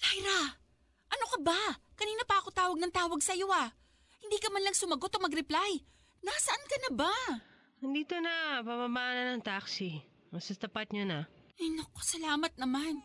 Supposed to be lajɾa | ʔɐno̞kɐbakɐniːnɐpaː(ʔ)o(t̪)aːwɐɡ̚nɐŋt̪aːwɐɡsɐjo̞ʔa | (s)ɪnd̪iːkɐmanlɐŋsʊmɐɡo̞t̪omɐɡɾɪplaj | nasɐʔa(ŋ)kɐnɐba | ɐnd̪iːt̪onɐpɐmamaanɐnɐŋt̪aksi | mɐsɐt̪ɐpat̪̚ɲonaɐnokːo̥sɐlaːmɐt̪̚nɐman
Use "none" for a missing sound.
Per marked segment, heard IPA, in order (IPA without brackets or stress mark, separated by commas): k, t̪, h, n